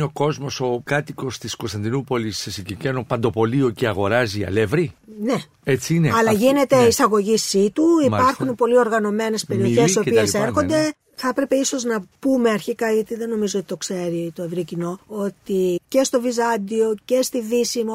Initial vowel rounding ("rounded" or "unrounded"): rounded